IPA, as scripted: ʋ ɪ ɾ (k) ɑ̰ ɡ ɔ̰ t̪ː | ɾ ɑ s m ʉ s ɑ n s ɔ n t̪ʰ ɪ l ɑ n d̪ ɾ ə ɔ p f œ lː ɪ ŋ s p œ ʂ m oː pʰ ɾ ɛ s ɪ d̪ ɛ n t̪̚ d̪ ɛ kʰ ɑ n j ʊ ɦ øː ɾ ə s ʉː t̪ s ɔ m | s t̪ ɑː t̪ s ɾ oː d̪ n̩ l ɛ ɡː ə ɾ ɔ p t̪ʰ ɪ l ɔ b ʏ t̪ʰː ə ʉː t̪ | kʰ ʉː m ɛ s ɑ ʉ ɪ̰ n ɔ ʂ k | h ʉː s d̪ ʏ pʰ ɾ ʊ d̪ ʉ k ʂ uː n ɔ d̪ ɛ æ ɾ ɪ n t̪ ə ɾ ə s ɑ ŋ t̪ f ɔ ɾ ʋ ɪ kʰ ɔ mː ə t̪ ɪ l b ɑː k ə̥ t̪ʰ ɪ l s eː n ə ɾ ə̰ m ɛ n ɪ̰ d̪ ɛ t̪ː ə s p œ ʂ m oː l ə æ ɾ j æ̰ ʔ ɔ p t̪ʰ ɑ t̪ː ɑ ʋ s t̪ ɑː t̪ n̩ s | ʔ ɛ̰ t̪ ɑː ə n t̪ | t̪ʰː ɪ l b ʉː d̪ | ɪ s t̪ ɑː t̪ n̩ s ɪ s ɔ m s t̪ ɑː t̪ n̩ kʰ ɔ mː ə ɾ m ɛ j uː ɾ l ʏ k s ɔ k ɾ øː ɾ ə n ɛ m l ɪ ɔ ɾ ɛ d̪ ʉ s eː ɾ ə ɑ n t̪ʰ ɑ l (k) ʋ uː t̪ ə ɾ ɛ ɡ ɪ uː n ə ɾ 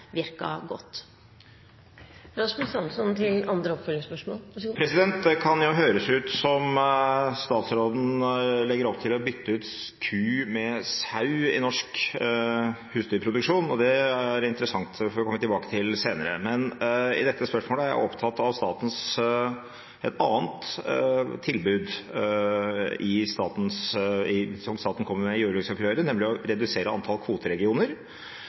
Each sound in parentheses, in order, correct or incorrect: correct, incorrect

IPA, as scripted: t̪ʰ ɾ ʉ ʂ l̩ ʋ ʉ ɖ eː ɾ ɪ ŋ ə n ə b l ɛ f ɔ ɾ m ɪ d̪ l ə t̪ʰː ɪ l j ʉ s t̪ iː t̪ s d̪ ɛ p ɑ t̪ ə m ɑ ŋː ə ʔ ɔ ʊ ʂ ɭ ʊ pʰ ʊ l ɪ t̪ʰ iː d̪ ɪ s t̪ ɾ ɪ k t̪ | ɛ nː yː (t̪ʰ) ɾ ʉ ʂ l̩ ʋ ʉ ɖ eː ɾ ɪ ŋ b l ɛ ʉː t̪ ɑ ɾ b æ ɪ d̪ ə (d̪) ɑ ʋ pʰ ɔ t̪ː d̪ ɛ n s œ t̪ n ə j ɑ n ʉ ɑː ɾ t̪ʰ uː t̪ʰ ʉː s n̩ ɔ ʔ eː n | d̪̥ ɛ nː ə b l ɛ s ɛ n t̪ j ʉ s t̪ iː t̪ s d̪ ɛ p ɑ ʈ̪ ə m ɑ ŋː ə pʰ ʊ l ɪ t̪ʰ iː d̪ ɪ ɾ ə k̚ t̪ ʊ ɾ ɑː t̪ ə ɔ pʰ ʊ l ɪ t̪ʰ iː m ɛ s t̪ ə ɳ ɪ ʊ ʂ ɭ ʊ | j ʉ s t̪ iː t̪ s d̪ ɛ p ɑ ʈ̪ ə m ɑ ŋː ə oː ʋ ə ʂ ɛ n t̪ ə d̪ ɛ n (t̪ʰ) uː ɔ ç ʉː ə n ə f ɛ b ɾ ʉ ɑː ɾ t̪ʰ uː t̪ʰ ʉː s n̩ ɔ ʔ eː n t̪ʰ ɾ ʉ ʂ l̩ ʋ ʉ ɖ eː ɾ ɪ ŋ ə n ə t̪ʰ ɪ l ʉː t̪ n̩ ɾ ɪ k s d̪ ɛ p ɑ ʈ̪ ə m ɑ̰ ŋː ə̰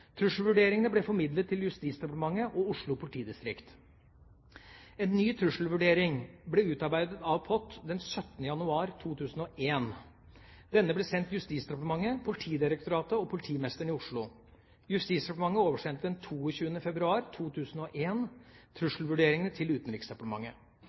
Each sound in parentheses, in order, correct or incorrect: correct, incorrect, correct

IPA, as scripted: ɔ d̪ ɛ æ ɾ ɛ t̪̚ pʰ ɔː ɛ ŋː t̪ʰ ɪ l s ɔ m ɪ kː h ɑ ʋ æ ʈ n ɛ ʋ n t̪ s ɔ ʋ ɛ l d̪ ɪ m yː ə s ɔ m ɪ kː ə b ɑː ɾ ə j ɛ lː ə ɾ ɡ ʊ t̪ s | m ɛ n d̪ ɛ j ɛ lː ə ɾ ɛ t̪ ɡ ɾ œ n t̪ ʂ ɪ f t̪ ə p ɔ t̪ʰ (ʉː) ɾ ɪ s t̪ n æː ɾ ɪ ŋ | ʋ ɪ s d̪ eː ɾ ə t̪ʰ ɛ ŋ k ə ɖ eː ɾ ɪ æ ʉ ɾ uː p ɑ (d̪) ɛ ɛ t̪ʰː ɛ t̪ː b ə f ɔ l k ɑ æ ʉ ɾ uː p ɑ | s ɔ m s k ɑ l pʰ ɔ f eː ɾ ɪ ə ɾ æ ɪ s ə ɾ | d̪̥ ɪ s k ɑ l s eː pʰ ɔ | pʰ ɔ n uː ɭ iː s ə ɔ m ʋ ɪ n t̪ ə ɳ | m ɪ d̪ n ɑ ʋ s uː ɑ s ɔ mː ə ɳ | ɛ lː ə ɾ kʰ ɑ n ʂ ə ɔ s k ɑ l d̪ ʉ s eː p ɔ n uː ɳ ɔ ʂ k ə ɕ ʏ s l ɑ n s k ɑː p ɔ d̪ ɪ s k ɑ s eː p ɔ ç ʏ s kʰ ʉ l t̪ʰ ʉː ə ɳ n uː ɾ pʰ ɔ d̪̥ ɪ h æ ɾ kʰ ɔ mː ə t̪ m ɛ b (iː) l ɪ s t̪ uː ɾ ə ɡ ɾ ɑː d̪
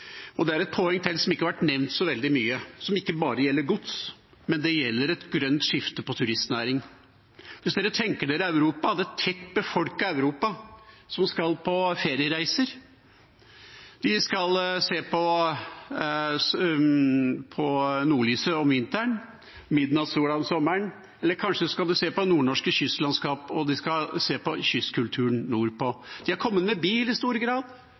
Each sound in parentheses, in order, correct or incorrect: incorrect, correct, correct

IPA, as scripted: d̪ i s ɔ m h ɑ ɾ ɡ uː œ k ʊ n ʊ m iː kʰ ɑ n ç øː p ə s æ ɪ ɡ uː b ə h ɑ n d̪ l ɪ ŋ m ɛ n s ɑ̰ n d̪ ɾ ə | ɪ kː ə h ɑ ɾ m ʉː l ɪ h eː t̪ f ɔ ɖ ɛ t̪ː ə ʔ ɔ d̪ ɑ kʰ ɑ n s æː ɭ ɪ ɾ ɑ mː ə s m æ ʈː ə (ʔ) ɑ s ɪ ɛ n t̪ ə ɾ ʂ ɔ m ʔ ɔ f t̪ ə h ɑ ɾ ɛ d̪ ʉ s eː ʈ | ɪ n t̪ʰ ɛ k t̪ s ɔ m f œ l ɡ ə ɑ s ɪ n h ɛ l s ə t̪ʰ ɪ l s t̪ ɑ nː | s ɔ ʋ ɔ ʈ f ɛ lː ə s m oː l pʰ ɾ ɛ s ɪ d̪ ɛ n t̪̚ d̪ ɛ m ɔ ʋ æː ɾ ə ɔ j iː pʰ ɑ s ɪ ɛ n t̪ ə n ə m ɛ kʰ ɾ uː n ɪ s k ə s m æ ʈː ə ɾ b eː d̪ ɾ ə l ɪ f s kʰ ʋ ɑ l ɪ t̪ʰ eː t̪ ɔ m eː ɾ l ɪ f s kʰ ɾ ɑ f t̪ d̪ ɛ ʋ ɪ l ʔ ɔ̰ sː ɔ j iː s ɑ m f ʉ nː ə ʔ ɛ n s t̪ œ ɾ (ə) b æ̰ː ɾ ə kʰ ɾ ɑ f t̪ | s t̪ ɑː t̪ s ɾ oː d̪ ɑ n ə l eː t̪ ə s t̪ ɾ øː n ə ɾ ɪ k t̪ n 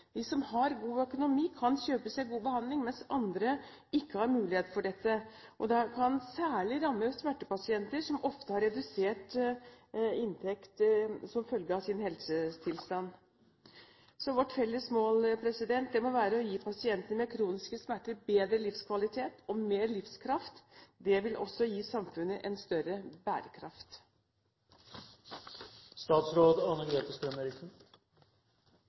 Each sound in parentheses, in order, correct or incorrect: incorrect, correct

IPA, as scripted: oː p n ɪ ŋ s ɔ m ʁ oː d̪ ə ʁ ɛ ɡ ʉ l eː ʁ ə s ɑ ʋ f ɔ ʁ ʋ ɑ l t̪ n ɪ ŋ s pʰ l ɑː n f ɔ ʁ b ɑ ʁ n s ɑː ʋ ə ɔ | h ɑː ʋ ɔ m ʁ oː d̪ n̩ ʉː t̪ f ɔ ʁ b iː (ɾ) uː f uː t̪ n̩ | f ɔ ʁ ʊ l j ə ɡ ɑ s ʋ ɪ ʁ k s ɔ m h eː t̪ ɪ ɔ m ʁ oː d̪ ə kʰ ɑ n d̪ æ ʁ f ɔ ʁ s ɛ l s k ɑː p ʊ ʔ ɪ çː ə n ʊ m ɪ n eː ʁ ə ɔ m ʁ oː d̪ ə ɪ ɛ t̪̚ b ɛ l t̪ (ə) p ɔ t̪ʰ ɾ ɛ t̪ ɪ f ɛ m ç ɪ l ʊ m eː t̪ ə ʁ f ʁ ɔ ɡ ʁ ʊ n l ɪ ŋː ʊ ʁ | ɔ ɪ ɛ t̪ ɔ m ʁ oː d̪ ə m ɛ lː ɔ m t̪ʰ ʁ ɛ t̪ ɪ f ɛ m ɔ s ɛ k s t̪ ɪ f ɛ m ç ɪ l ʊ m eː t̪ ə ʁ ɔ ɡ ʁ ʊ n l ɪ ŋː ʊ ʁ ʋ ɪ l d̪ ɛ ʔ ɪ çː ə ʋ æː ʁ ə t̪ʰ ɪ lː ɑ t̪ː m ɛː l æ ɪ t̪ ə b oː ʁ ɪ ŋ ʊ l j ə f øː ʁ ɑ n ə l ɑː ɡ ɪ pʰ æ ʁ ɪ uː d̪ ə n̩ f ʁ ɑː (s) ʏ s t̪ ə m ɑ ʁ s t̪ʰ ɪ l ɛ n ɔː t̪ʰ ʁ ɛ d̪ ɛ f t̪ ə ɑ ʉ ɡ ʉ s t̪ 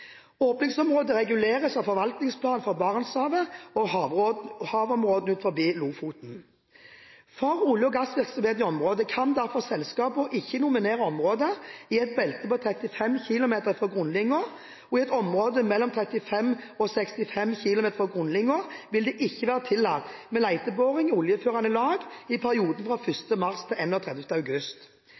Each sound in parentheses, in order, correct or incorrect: incorrect, correct, incorrect

